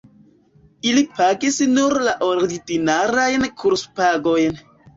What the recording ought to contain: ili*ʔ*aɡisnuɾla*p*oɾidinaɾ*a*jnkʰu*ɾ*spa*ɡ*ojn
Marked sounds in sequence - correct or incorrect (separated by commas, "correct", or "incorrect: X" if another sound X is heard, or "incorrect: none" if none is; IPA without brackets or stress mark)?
incorrect: p, incorrect: ʔ, correct, correct, correct